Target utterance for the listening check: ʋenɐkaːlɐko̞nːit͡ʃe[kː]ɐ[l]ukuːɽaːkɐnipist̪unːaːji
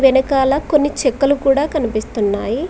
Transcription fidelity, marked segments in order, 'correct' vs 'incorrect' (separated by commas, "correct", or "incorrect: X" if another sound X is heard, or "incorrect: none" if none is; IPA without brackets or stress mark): correct, correct